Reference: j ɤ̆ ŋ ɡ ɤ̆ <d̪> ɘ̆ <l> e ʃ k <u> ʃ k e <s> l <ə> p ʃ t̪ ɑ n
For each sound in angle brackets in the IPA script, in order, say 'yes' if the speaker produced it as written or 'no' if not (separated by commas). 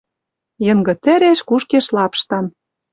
no, no, yes, no, no